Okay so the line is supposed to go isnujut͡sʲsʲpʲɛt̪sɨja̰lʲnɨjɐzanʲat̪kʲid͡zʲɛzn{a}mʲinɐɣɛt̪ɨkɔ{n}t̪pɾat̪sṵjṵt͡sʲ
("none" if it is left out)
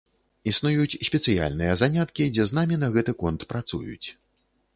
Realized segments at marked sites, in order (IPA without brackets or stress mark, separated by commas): a, n